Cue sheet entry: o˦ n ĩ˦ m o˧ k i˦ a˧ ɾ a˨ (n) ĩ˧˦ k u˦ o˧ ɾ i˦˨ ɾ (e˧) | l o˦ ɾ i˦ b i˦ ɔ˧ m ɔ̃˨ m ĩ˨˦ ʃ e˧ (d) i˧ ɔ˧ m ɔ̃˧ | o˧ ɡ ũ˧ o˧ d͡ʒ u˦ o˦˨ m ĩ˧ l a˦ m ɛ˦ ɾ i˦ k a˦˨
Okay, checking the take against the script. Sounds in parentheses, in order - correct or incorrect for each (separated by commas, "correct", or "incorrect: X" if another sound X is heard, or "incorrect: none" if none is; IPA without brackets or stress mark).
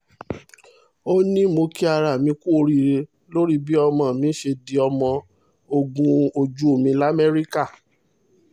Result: incorrect: m, correct, correct